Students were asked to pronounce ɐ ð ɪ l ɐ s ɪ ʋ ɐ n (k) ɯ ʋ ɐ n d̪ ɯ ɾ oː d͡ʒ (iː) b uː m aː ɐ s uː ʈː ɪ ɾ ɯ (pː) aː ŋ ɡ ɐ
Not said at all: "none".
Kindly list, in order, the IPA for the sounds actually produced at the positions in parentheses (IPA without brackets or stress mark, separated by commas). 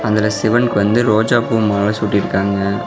k, aː, kː